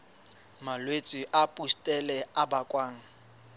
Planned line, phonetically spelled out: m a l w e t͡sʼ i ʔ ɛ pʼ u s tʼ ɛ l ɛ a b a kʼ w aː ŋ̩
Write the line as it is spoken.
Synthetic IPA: m a l w e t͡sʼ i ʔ a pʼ u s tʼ ɛ l ɛ a b a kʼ w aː ŋ̩